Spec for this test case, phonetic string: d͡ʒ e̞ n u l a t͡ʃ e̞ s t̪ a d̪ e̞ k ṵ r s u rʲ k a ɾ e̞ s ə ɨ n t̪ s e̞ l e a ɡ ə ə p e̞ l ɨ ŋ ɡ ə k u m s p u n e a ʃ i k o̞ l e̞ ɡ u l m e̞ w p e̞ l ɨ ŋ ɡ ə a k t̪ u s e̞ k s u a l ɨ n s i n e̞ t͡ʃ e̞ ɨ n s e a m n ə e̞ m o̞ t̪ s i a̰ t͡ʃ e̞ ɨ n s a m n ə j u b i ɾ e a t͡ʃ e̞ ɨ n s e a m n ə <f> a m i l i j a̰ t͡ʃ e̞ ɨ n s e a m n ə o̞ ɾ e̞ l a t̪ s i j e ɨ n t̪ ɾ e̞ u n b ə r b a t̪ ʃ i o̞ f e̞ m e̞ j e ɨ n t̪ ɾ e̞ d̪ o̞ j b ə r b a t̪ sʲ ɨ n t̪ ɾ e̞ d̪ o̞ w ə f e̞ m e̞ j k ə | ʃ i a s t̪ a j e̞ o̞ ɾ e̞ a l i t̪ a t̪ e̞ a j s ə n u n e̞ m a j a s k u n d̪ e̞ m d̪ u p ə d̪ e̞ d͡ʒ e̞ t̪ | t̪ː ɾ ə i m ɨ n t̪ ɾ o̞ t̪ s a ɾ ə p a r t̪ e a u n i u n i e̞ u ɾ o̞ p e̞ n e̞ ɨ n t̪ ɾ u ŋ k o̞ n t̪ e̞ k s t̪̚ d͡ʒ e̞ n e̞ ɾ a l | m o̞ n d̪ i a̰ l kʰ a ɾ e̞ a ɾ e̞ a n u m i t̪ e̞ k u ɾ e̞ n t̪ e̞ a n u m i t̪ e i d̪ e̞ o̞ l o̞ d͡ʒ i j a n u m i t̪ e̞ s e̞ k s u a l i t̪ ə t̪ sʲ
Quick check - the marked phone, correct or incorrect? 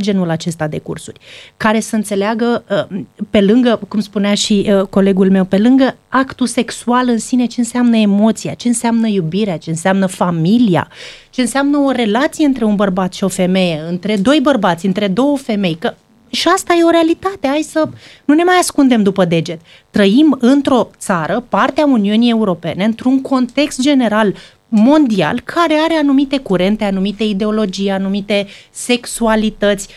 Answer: correct